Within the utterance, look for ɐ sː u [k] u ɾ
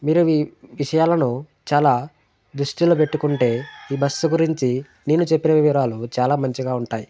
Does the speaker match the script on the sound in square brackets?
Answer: no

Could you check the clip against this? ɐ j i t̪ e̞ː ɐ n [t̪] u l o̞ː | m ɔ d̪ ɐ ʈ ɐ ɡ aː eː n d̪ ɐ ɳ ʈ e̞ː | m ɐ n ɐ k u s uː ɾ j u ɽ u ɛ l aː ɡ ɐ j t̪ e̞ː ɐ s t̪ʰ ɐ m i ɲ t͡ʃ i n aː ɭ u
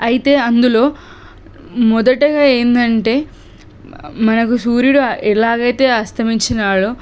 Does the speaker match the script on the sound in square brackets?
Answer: no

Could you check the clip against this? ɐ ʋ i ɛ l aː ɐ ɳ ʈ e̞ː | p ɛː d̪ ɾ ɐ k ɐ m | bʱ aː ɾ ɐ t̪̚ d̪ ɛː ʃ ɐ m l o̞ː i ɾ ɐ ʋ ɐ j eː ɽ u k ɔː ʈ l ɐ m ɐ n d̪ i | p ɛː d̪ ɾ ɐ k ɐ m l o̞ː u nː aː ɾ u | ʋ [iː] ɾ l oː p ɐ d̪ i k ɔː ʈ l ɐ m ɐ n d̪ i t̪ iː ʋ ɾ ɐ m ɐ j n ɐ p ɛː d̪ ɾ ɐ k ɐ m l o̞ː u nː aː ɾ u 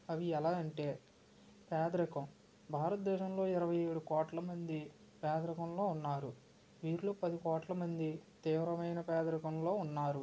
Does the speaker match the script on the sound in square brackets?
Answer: yes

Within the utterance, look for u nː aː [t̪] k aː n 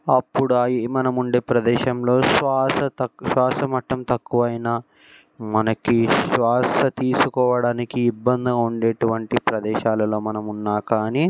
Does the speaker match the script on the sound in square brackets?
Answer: no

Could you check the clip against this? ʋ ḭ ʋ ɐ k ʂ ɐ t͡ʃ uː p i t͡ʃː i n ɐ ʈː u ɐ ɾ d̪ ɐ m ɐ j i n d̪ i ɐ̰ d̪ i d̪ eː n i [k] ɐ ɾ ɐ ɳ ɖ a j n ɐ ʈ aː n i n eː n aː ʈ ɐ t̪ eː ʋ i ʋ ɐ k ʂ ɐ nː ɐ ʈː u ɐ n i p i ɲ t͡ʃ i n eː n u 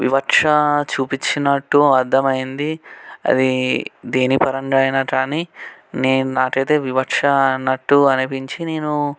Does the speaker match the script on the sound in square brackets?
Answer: no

